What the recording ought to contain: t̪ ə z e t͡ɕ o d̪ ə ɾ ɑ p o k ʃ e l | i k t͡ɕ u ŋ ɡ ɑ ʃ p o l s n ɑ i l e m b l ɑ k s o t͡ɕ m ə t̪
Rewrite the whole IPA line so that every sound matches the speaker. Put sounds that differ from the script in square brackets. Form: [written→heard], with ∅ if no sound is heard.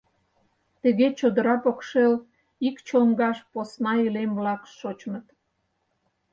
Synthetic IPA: t̪ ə [z→ɣ] e t͡ɕ o d̪ ə ɾ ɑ p o k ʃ e l | i k t͡ɕ [u→o] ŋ ɡ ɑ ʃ p o [l→∅] s n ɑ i l e m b l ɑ k [s→ʃ] o t͡ɕ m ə t̪